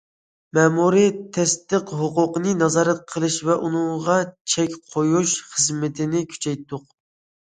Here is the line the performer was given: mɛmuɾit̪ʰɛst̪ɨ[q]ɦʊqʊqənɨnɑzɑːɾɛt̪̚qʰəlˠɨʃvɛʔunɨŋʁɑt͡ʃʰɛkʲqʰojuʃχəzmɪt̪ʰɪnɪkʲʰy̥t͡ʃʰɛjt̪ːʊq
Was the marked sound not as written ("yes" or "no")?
no